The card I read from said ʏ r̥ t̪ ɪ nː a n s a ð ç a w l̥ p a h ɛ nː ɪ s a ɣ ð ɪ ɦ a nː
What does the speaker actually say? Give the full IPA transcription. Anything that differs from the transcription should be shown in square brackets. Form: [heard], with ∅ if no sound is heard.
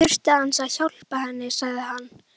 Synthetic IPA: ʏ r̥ t̪ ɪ [∅] a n s a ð ç a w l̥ p a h ɛ nː ɪ s a ɣ ð ɪ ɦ a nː